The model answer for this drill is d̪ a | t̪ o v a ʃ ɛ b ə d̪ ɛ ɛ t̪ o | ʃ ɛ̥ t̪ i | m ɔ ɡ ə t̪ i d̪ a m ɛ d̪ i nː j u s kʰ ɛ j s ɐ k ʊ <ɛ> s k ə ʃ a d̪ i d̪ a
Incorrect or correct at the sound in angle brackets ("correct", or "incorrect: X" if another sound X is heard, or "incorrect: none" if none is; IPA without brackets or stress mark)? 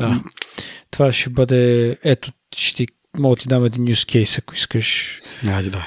incorrect: i